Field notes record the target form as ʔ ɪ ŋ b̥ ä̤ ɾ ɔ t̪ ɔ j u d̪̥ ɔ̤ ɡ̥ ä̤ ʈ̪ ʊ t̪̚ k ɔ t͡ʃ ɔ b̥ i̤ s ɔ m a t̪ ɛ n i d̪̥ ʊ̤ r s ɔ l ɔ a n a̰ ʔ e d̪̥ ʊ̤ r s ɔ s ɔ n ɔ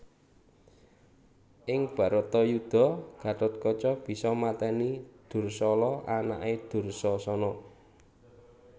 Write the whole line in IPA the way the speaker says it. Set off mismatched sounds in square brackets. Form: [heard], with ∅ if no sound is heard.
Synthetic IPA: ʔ ɪ ŋ b̥ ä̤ ɾ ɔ t̪ ɔ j u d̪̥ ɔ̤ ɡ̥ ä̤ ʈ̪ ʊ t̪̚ k ɔ t͡ʃ ɔ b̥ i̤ s ɔ m a t̪ ɛ n i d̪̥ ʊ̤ r s ɔ l ɔ a n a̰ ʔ e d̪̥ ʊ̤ r s ɔ s ɔ n ɔ

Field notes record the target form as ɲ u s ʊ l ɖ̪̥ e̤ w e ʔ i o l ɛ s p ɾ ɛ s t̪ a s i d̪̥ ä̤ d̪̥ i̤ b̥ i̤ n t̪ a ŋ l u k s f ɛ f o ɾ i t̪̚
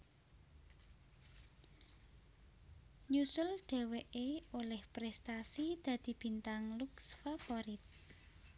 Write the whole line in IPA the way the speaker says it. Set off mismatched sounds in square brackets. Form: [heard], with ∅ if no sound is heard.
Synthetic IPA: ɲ u s ʊ l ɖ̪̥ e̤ w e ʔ [e] o l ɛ [h] p ɾ ɛ s t̪ a s i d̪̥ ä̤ d̪̥ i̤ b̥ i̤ n t̪ a ŋ l u k s f [a] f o ɾ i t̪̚

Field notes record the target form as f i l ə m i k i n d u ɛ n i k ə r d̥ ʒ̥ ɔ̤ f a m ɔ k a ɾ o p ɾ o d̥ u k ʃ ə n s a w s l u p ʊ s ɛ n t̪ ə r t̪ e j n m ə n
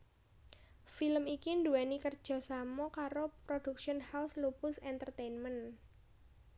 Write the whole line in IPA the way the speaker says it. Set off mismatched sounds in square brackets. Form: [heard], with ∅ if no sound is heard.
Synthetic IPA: f i l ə m i k i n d u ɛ n i k ə r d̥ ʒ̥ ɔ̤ [s] a m ɔ k a ɾ o p ɾ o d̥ u k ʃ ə n [h] a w s l u p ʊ s ɛ n t̪ ə r t̪ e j n m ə n

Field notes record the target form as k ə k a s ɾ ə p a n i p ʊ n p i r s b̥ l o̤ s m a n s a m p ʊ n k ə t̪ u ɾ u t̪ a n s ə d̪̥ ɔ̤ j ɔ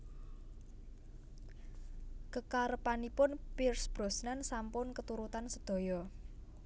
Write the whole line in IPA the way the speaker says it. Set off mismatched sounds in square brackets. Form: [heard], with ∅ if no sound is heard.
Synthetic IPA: k ə k a [∅] ɾ ə p a n i p ʊ n p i r s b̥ [ɾ] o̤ s [n] a n s a m p ʊ n k ə t̪ u ɾ u t̪ a n s ə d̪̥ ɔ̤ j ɔ

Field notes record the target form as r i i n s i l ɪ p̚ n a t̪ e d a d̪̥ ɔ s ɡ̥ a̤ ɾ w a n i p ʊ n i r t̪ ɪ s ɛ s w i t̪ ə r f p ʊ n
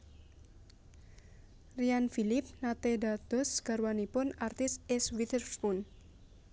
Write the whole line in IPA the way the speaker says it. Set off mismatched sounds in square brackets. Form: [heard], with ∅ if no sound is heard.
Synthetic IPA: r i [a] n [f] i l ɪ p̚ n a t̪ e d a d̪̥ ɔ s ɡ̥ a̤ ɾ w a n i p ʊ n [a] r t̪ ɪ s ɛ s w i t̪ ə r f p ʊ n

